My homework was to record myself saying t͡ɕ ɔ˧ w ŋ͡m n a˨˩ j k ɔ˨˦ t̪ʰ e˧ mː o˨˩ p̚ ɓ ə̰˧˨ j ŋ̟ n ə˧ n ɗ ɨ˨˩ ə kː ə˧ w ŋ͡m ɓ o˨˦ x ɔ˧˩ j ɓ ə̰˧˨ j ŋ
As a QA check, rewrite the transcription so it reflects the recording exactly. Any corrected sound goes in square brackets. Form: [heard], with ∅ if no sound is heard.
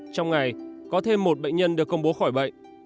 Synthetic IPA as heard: t͡ɕ ɔ˧ w ŋ͡m [ŋ] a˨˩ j k ɔ˨˦ t̪ʰ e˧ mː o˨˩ [t̚] ɓ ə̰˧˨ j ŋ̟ [ɲ] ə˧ n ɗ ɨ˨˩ ə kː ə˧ w ŋ͡m ɓ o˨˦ x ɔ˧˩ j ɓ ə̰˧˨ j ŋ